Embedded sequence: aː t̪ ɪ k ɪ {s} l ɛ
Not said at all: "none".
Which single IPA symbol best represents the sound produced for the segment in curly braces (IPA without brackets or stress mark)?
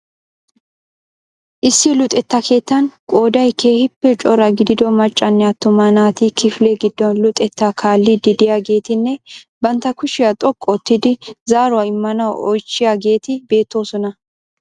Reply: f